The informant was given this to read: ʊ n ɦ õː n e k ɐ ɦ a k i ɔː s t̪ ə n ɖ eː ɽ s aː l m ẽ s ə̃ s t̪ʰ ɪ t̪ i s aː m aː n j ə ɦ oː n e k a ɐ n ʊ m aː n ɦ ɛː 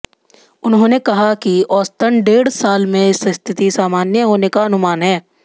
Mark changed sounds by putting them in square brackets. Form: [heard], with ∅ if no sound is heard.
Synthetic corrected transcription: ʊ n ɦ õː n e k ɐ ɦ a k i ɔː s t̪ ə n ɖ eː ɽ s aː l m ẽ s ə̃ s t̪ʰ ɪ t̪ i s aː m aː n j ə ɦ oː n e k a ɐ n ʊ m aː n ɦ ɛː